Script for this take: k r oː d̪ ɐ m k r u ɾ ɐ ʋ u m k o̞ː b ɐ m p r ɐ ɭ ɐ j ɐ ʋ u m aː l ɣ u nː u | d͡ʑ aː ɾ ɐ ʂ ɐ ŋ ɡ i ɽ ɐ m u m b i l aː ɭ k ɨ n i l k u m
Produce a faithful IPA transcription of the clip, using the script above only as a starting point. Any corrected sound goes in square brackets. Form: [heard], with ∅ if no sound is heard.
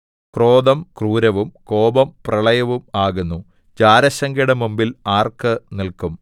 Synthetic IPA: k r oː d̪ ɐ m k r [uː] ɾ ɐ ʋ u m k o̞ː b ɐ m p r ɐ ɭ ɐ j ɐ ʋ u m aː [∅] ɣ u nː u | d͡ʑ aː ɾ ɐ [ɕ] ɐ ŋ ɡ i ɽ ɐ m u m b i l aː [r] k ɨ n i l k u m